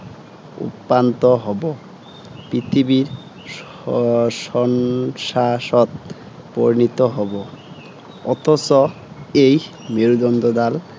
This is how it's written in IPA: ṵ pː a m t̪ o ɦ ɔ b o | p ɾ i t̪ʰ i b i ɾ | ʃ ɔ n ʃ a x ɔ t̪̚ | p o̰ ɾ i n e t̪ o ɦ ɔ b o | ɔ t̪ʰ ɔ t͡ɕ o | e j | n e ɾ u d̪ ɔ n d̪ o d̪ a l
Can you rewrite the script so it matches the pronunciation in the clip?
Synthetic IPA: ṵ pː a n t̪ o ɦ ɔ b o | p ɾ i t̪ʰ i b i ɾ | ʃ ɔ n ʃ a ʃ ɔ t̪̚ | p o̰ ɾ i n i t̪ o ɦ ɔ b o | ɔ t̪ʰ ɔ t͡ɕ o | e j | m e ɾ u d̪ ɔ n d̪ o d̪ a l